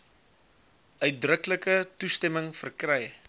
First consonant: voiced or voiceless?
voiced